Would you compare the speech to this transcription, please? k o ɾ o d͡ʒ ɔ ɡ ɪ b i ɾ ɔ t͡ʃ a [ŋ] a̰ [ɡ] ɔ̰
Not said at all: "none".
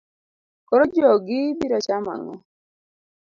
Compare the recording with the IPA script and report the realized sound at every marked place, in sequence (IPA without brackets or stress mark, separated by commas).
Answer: m, ŋ